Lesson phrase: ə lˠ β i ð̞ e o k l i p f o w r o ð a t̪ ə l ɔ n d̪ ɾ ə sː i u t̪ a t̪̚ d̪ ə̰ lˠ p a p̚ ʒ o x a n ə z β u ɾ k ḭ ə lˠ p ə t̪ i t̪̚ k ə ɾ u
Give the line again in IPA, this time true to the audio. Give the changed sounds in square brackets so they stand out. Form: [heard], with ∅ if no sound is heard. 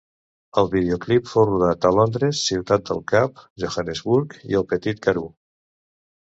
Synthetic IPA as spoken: ə lˠ β i ð̞ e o k l i p f o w r [u] ð a t̪ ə l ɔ n d̪ ɾ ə sː i [w] t̪ a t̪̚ d̪ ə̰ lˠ [k] a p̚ ʒ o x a n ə z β u ɾ k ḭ ə lˠ p ə t̪ i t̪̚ k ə ɾ u